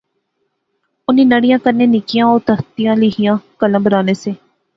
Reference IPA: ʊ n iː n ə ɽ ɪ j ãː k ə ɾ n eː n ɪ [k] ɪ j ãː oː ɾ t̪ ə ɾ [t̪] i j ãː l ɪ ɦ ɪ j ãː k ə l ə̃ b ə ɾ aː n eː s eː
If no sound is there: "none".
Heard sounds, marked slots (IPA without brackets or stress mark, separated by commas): k, t̪